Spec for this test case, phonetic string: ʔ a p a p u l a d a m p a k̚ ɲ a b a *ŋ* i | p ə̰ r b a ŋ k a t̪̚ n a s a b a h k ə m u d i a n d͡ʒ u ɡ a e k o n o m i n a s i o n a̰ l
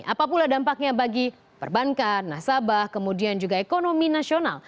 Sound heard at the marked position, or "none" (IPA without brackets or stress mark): ɡ